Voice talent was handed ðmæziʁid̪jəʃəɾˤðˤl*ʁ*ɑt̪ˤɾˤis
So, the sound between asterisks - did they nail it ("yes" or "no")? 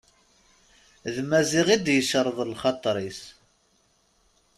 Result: no